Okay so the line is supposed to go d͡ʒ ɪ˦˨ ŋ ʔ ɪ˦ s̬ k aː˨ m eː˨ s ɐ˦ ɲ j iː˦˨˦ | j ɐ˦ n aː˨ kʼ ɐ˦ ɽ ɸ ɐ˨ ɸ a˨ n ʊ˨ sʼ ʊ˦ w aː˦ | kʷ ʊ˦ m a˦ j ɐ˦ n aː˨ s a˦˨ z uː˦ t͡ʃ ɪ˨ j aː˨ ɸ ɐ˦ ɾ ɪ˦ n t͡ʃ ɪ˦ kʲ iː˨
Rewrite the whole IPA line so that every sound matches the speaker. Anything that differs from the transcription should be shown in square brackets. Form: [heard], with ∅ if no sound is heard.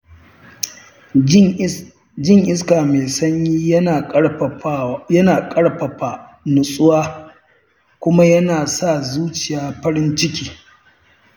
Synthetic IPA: d͡ʒ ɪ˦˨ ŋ ʔ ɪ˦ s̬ k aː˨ m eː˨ s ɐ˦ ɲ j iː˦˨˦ | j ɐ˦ n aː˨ kʼ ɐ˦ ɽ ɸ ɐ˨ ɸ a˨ n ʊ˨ sʼ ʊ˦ w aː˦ | kʷ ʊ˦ m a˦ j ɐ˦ n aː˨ s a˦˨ z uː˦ t͡ʃ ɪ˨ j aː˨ ɸ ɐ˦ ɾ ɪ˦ n t͡ʃ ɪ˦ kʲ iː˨